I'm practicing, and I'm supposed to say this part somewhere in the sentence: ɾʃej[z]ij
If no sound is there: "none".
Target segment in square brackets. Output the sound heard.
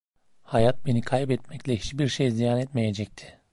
z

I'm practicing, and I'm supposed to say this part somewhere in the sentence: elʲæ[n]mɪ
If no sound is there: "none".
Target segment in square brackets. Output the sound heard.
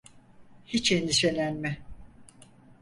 n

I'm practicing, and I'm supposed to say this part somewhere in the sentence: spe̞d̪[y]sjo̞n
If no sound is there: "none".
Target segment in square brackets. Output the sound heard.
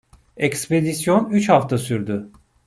i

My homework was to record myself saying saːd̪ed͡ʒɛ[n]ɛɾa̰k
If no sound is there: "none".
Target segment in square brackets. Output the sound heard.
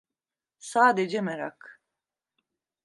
m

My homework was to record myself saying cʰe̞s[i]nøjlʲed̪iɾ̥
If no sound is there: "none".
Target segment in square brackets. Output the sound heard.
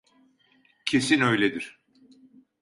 i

